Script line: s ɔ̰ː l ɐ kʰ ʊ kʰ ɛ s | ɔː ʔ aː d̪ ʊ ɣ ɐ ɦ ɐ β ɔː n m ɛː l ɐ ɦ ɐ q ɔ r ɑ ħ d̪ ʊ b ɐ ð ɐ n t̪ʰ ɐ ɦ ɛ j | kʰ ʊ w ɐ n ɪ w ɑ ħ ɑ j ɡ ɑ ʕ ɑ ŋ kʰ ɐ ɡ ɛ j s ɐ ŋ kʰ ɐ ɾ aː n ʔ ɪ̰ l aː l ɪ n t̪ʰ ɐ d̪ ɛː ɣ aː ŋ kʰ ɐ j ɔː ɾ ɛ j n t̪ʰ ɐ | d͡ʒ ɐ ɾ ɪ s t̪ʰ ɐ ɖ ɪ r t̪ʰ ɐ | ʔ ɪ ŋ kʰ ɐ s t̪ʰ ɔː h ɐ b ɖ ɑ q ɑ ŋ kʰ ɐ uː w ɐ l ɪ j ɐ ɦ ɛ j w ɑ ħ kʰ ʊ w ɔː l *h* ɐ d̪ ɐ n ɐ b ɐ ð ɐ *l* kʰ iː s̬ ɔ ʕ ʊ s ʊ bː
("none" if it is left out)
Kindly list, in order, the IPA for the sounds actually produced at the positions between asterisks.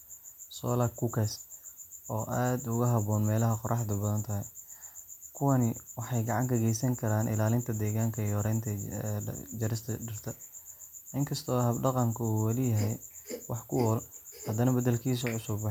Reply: h, l

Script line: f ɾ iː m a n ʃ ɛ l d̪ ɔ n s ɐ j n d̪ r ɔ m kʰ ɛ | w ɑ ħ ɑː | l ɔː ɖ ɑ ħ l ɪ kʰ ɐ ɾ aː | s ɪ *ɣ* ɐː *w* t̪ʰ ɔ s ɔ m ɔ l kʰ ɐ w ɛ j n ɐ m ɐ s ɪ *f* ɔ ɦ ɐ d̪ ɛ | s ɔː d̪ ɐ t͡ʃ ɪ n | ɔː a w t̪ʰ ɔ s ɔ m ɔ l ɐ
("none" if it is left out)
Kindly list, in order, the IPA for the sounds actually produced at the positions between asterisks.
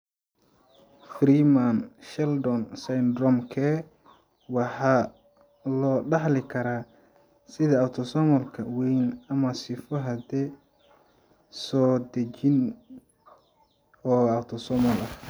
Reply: ð, w, f

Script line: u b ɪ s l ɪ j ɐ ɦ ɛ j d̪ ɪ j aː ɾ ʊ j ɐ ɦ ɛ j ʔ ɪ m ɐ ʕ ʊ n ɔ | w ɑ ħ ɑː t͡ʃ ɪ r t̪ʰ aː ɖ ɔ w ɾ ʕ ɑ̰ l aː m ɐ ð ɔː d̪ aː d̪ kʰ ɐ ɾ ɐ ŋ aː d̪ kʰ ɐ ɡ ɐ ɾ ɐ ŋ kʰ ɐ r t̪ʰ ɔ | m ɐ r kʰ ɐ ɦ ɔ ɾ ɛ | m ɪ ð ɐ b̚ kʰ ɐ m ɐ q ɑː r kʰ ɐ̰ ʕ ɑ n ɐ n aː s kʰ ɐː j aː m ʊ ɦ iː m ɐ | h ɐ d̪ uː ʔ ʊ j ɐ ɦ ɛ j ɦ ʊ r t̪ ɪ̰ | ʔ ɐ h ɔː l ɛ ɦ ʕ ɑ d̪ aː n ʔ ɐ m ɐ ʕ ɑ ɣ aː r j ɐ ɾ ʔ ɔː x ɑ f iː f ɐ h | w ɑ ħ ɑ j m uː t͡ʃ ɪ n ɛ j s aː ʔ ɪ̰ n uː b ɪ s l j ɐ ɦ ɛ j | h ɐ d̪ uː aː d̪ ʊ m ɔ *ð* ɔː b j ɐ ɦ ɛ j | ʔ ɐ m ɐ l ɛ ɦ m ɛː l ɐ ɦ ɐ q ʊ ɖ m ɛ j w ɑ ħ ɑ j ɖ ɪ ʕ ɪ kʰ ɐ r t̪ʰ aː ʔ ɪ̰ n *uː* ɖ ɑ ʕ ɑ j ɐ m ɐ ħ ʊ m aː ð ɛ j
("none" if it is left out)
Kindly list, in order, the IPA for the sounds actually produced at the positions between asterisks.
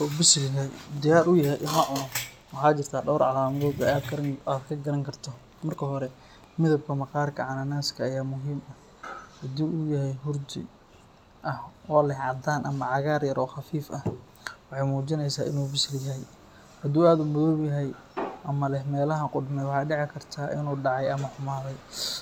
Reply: ð, uː

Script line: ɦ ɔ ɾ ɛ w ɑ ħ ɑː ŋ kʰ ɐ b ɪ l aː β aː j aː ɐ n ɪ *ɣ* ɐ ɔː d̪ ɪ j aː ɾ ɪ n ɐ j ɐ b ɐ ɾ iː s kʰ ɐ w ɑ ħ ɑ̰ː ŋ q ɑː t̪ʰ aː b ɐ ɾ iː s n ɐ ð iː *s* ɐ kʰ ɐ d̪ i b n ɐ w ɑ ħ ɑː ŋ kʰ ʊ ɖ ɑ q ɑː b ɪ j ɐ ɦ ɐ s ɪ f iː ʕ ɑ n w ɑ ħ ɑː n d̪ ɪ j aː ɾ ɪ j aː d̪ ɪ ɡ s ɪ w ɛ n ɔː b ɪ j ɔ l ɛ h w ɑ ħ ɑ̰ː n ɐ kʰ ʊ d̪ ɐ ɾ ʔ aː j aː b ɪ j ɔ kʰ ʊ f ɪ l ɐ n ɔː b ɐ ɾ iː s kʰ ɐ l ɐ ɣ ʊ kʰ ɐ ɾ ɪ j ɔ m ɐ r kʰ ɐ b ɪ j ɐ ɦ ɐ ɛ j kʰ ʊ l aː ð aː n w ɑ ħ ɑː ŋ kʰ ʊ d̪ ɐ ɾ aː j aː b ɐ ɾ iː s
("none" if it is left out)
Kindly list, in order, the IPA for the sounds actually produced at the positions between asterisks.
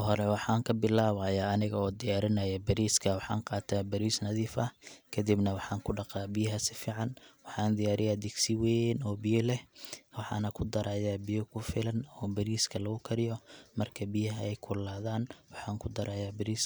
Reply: ɣ, f

